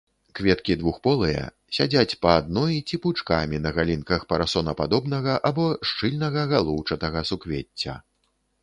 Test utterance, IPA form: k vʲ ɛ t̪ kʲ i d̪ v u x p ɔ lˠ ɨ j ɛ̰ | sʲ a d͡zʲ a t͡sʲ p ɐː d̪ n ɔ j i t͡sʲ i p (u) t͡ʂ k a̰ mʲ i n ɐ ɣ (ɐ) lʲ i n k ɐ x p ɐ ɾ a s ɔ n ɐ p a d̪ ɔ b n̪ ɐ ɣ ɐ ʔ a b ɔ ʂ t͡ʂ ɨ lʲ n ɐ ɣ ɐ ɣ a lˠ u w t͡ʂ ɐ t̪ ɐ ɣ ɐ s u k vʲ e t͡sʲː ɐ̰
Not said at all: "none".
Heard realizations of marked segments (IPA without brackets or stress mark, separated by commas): u, a